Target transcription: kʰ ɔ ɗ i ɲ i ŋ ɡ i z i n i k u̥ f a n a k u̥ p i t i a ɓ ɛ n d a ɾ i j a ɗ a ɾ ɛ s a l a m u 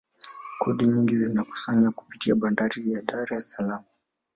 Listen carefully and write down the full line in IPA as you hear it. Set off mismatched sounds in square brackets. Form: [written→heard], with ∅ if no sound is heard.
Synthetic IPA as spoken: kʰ ɔ ɗ i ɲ i ŋ ɡ i z i n [i→a] k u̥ [f→s] a [n→ɲ] a k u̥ p i t i a ɓ [ɛ→a] n d a ɾ i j a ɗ a ɾ ɛ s a l a m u